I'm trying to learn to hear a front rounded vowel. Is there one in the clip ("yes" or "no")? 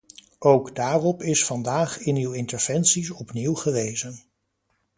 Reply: yes